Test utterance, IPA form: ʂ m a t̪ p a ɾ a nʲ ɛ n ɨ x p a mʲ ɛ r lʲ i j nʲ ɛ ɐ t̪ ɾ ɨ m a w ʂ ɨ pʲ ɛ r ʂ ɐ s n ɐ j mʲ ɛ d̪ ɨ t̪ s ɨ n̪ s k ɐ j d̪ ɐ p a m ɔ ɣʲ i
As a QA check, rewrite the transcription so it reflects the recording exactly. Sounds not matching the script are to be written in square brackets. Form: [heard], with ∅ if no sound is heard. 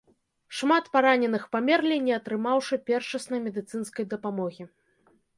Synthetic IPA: ʂ m a t̪ p a ɾ a nʲ ɛ n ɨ x p a mʲ ɛ r lʲ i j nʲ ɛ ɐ t̪ ɾ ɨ m a w ʂ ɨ pʲ ɛ r ʂ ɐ s n ɐ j mʲ ɛ d̪ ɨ t̪ s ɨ n̪ s k ɐ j d̪ ɐ p a m ɔ ɣʲ i